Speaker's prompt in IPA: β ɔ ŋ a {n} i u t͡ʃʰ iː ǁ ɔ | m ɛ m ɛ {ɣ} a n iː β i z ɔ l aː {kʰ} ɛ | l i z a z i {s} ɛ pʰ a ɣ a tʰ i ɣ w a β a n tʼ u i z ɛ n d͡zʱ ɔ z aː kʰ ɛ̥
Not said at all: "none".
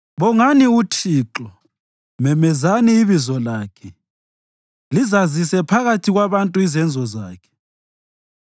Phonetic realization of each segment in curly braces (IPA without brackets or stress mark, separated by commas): n, z, kʰ, s